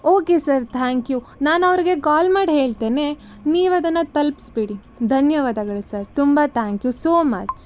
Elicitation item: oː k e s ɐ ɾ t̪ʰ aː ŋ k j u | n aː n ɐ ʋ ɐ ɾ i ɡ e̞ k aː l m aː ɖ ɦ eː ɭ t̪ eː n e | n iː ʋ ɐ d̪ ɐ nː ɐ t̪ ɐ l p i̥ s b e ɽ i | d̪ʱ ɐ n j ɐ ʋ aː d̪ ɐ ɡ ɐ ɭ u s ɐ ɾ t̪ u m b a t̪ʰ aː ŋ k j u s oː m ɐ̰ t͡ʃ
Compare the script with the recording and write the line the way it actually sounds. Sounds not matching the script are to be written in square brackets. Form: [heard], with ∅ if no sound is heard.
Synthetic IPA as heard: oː k e s ɐ ɾ t̪ʰ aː ŋ k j u | n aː n ɐ ʋ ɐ ɾ i ɡ e̞ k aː l m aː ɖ ɦ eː ɭ t̪ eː n e | n iː ʋ ɐ d̪ ɐ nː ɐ t̪ ɐ l p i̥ s b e ɽ i | d̪ʱ ɐ n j ɐ ʋ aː d̪ ɐ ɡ ɐ ɭ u s ɐ ɾ t̪ u m b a t̪ʰ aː ŋ k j u s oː m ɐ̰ t͡ʃ